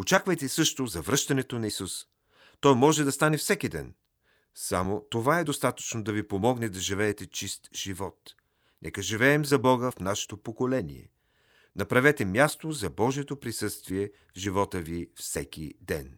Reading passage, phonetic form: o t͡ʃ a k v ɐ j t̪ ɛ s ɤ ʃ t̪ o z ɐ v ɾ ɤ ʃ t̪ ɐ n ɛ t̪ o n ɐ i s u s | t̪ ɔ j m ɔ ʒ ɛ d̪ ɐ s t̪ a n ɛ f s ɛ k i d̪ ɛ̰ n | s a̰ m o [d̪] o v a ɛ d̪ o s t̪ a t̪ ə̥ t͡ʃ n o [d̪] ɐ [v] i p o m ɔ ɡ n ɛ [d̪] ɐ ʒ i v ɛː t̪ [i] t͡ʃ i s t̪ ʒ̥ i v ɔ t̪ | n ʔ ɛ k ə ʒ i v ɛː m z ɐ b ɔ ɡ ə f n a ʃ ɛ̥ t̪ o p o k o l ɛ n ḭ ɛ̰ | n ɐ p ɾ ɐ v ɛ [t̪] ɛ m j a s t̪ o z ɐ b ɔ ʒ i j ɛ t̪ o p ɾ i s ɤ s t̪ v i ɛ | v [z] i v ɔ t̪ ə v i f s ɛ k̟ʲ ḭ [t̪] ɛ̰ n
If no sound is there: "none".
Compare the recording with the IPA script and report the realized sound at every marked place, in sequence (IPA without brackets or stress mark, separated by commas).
t̪, d̪, v, d̪, ɛ, t̪, ʒ, d̪